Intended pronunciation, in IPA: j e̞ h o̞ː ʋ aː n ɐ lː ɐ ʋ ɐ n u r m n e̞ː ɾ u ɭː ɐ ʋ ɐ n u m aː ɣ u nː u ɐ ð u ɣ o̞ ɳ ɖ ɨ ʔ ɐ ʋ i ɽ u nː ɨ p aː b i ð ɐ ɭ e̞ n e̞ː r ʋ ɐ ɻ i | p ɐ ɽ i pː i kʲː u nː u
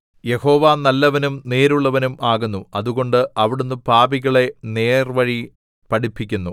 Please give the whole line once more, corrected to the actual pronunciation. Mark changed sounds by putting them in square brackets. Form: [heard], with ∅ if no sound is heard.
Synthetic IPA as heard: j e̞ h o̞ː ʋ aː n ɐ lː ɐ ʋ ɐ n u [∅] m n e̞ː ɾ u ɭː ɐ ʋ ɐ n u m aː ɣ u nː u ɐ ð u ɣ o̞ ɳ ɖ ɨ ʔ ɐ ʋ i ɽ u nː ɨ p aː b i [ɣ] ɐ ɭ e̞ n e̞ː r ʋ ɐ ɻ i | p ɐ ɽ i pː i kʲː u nː u

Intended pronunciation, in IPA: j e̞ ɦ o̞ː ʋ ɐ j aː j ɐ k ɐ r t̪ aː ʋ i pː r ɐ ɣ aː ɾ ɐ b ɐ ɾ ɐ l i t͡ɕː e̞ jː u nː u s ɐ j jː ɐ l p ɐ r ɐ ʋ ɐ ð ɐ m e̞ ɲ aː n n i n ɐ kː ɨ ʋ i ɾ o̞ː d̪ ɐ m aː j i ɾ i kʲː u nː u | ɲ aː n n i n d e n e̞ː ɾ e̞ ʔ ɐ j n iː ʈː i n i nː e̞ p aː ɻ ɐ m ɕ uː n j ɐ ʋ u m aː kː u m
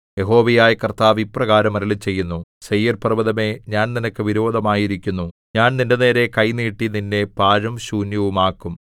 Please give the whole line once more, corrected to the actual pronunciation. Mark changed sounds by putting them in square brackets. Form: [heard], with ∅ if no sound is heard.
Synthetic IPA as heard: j e̞ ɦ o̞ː ʋ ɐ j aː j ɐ k ɐ r t̪ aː ʋ i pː r ɐ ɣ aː ɾ ɐ [m] ɐ ɾ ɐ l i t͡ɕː e̞ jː u nː u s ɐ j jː ɐ [r] p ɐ r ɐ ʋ ɐ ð ɐ m e̞ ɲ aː n n i n ɐ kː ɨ ʋ i ɾ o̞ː d̪ ɐ m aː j i ɾ i kʲː u nː u | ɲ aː n n i n d e n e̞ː ɾ e̞ [k] ɐ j n iː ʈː i n i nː e̞ p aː ɻ ɐ m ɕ uː n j ɐ ʋ u m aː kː u m

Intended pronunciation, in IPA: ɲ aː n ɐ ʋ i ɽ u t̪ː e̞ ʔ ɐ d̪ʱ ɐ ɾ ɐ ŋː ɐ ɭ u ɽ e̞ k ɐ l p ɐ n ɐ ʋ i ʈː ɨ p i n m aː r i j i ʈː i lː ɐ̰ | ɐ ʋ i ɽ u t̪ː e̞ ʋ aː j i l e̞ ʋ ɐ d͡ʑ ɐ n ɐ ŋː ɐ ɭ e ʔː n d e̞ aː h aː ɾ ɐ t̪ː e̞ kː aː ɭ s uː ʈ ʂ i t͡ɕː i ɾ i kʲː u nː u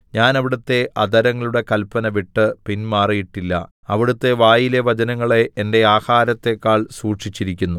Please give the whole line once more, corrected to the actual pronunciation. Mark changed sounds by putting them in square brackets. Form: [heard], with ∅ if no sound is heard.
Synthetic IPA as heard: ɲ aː n ɐ ʋ i ɽ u t̪ː e̞ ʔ ɐ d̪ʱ ɐ ɾ ɐ ŋː ɐ ɭ u ɽ e̞ k ɐ l p ɐ n ɐ ʋ i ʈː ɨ p i n m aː r i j i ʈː i lː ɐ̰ | ɐ ʋ i ɽ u t̪ː e̞ ʋ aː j i l e̞ ʋ ɐ d͡ʑ ɐ n ɐ ŋː ɐ ɭ e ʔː n d e̞ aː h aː ɾ ɐ t̪ː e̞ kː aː ɭ s uː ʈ ʂ i t͡ɕː i ɾ i kʲː u nː u

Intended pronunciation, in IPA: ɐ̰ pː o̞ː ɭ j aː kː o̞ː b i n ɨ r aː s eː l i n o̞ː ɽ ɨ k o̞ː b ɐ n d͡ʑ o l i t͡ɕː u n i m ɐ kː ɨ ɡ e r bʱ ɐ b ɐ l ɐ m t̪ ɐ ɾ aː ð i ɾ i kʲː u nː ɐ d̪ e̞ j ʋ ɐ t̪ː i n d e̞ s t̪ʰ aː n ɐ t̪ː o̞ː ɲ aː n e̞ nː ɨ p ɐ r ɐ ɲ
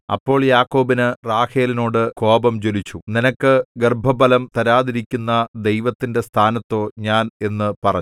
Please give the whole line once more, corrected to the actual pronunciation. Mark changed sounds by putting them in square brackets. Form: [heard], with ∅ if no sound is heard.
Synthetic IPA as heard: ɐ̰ pː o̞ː ɭ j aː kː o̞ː b i n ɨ r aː [h] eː l i n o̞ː ɽ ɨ k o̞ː b ɐ [m] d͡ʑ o l i t͡ɕː u n i [n] ɐ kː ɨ ɡ e r bʱ ɐ b ɐ l ɐ m t̪ ɐ ɾ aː ð i ɾ i kʲː u nː ɐ d̪ e̞ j ʋ ɐ t̪ː i n d e̞ s t̪ʰ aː n ɐ t̪ː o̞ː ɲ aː n e̞ nː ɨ p ɐ r ɐ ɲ

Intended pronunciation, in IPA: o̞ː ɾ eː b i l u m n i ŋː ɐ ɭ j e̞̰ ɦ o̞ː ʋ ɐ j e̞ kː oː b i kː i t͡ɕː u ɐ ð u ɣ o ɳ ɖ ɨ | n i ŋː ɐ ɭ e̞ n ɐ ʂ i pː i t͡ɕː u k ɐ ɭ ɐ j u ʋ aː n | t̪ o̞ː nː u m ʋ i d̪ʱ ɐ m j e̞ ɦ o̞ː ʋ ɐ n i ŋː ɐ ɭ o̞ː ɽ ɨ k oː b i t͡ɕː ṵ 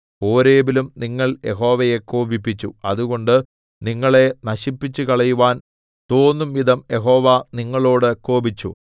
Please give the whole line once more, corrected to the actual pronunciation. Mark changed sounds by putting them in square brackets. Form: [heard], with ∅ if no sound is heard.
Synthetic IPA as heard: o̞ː ɾ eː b i l u m n i ŋː ɐ ɭ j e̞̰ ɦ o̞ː ʋ ɐ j e̞ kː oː b i [pː] i t͡ɕː u ɐ ð u ɣ o ɳ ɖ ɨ | n i ŋː ɐ ɭ e̞ n ɐ [ɕ] i pː i t͡ɕː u k ɐ ɭ ɐ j u ʋ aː n | t̪ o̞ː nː u m ʋ i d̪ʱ ɐ m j e̞ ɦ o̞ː ʋ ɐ n i ŋː ɐ ɭ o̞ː ɽ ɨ k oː b i t͡ɕː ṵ

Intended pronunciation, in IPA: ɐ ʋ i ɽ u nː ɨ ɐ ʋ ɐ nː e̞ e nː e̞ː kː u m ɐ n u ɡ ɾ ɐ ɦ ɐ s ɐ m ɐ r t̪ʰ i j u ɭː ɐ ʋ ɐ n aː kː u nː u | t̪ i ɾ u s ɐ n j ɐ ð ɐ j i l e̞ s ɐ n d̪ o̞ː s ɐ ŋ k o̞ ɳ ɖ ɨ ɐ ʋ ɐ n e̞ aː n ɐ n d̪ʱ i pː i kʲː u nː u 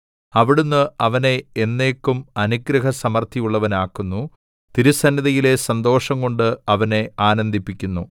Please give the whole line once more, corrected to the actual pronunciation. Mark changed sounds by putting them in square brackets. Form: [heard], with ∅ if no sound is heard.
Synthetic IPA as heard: ɐ ʋ i ɽ u nː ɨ ɐ ʋ ɐ [n] e̞ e nː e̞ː kː u m ɐ n u ɡ ɾ ɐ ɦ ɐ s ɐ m ɐ r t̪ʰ i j u ɭː ɐ ʋ ɐ n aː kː u nː u | t̪ i ɾ u s ɐ n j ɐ ð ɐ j i l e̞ s ɐ n d̪ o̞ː [ʂ] ɐ ŋ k o̞ ɳ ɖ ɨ ɐ ʋ ɐ n e̞ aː n ɐ n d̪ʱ i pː i kʲː u nː u

